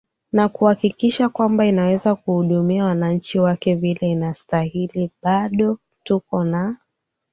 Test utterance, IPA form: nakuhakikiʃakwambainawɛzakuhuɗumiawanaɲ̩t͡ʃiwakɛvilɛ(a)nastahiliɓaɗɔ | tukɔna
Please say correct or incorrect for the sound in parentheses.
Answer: incorrect: i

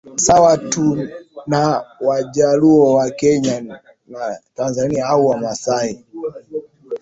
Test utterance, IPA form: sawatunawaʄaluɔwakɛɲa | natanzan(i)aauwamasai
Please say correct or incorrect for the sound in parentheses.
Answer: correct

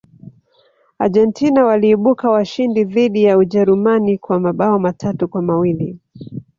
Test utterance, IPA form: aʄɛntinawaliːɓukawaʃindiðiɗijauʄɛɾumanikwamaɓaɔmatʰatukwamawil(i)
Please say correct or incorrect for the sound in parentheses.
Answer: correct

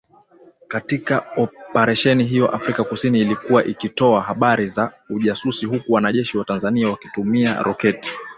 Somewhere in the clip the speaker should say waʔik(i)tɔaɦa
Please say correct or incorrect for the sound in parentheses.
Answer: correct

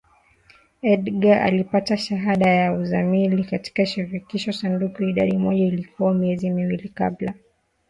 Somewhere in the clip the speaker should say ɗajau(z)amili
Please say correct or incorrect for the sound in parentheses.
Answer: correct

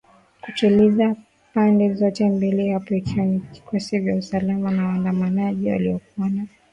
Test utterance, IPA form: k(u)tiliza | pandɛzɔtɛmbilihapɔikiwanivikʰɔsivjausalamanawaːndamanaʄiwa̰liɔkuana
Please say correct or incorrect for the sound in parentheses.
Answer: correct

